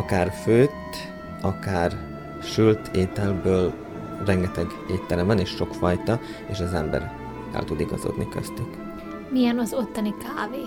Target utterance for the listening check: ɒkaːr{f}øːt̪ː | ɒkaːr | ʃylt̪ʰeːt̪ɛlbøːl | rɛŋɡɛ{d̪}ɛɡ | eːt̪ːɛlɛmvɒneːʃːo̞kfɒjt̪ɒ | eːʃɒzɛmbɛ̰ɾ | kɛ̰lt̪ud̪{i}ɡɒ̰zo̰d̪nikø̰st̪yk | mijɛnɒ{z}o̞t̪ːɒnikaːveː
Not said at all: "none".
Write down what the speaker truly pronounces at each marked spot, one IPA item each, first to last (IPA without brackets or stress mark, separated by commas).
f, t̪, i, z